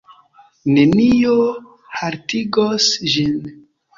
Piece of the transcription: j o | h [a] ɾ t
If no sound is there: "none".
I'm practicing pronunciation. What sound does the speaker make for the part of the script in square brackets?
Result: a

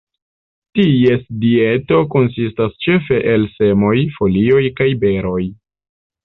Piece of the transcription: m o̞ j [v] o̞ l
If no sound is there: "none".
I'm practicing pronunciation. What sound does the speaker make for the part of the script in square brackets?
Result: f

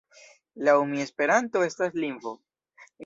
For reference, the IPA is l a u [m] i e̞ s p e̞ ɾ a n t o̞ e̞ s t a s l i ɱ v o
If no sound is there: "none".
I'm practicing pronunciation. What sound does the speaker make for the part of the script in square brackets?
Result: m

